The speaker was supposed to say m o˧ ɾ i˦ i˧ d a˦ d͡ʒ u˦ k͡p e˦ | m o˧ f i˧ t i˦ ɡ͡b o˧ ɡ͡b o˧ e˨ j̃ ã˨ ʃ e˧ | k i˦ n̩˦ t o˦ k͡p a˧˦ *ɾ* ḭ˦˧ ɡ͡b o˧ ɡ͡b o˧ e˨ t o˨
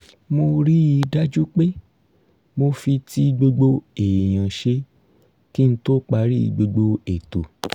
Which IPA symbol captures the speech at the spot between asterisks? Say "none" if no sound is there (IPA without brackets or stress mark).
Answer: ɾ